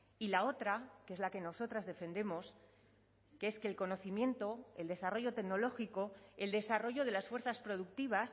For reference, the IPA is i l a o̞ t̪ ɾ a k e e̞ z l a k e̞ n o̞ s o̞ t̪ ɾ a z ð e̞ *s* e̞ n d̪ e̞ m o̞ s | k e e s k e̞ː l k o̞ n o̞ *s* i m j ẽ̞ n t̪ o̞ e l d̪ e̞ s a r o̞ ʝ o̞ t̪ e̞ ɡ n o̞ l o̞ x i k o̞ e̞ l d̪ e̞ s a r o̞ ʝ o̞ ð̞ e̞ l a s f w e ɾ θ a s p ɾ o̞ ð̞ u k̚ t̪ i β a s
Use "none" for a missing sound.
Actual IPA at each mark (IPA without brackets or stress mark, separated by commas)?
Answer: f, θ